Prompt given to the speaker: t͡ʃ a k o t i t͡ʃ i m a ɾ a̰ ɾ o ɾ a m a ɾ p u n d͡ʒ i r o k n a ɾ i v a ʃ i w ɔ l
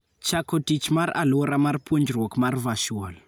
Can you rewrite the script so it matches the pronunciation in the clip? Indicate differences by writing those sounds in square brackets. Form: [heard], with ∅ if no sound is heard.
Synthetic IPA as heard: t͡ʃ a k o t i t͡ʃ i m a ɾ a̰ [l] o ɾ a m a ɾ p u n d͡ʒ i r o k [m] a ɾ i v a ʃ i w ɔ l